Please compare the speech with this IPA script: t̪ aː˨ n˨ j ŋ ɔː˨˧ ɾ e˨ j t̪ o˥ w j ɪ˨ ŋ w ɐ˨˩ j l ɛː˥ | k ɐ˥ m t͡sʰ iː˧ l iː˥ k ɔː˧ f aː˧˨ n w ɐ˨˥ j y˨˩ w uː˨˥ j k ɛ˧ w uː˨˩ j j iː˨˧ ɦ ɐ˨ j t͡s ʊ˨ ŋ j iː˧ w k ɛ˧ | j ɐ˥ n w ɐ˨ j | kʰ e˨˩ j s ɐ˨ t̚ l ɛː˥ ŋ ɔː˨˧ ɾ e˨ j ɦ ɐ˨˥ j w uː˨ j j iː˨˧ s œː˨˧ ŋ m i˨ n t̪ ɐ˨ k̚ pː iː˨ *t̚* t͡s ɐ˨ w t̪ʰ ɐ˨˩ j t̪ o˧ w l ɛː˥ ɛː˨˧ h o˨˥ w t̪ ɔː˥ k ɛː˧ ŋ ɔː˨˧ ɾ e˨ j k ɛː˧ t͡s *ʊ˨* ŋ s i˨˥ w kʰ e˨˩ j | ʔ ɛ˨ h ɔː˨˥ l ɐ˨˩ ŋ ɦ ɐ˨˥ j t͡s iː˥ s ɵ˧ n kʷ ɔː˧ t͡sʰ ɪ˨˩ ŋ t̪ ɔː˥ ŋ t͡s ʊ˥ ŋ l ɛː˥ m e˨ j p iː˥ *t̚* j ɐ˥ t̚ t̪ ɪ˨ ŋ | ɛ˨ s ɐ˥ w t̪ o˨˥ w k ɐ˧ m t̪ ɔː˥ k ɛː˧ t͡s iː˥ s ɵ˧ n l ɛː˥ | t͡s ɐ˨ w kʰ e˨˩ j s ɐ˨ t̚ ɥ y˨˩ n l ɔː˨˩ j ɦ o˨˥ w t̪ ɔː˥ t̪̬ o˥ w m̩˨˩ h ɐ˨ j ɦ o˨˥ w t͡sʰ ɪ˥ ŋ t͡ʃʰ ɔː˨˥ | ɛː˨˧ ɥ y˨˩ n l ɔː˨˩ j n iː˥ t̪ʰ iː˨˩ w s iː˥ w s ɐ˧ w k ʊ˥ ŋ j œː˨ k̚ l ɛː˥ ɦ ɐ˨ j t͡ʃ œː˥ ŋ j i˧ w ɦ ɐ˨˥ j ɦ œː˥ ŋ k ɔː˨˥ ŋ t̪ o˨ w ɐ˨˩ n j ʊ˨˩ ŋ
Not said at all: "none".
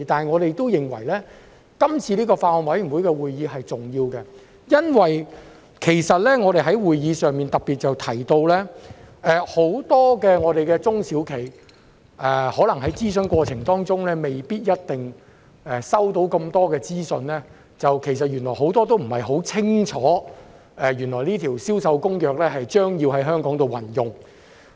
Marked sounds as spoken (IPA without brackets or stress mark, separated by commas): t̚, ʊ˥, t̚